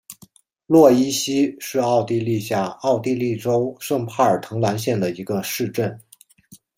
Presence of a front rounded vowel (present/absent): absent